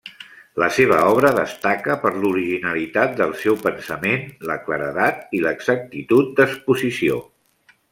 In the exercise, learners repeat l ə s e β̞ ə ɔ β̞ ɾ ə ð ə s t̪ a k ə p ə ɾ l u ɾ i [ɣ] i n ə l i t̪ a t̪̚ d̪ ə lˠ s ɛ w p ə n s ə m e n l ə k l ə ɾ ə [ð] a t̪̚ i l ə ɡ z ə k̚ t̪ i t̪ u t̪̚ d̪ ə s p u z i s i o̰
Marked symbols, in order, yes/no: no, yes

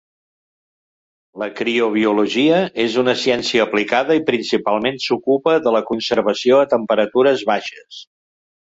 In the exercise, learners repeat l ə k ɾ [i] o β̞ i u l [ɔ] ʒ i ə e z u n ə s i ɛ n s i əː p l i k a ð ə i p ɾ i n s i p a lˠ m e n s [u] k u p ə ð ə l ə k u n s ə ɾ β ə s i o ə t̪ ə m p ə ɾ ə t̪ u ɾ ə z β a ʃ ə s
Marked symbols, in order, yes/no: yes, no, yes

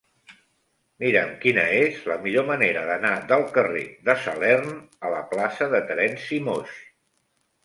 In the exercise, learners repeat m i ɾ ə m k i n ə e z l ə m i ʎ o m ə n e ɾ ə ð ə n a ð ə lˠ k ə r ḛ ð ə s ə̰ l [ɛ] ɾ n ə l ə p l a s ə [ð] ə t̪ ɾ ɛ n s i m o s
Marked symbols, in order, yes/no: yes, yes

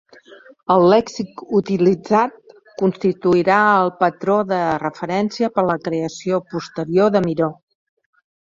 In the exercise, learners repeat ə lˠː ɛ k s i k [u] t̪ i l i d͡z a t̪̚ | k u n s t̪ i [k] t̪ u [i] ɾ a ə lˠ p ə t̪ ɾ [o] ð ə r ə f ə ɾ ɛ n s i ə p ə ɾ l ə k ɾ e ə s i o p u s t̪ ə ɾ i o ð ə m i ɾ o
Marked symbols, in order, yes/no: yes, no, yes, yes

